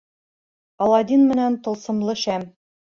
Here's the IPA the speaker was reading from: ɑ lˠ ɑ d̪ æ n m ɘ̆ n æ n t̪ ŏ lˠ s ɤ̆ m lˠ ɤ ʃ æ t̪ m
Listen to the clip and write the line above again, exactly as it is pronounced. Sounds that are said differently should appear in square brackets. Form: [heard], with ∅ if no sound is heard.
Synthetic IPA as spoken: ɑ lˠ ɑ d̪ [i] n m ɘ̆ n æ n t̪ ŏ lˠ s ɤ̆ m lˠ ɤ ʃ æ [∅] m